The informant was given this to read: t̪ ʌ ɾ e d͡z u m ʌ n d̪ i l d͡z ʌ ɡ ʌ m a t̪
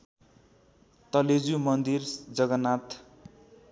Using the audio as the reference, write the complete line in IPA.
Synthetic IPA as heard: t̪ ʌ l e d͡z u m ʌ n d̪ i r d͡z ʌ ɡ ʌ n a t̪